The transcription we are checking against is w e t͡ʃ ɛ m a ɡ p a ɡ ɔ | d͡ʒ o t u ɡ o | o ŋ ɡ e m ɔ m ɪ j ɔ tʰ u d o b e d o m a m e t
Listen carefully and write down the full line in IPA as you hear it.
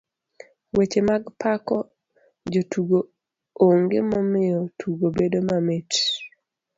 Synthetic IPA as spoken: w e t͡ʃ e m a ɡ p a k ɔ | d͡ʒ o t u ɡ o | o ŋ ɡ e m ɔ m ɪ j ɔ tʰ u ɡ o b e d o m a m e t